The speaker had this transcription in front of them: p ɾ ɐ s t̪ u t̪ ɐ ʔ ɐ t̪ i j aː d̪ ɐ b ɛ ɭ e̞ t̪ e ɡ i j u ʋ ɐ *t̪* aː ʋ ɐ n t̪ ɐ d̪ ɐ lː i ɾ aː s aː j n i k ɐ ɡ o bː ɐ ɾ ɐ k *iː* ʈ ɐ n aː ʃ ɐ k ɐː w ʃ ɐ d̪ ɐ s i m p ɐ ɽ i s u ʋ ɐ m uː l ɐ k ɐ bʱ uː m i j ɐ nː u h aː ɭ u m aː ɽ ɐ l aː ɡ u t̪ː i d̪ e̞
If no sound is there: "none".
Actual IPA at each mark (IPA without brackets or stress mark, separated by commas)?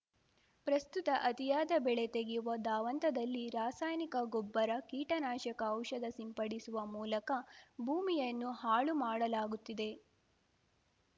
d̪, iː